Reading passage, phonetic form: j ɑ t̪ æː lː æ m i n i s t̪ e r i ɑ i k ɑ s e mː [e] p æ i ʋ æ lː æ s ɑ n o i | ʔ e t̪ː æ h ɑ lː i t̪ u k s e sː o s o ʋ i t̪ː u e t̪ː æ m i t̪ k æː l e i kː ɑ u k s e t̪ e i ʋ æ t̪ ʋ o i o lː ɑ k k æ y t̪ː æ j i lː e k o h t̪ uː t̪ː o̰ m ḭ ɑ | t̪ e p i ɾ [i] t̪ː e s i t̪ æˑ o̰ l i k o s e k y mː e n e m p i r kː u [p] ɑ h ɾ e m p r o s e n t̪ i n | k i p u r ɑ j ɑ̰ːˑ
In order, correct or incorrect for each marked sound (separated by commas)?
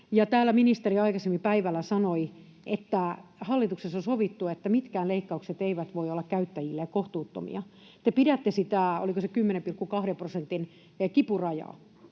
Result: incorrect, incorrect, incorrect